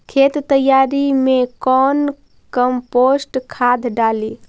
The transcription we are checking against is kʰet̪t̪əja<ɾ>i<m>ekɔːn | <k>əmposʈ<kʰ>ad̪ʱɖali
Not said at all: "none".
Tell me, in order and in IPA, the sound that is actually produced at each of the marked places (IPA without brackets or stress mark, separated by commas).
ɾ, m, k, kʰ